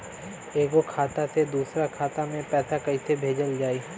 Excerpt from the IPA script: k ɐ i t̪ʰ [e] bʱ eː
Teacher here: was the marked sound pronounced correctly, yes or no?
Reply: yes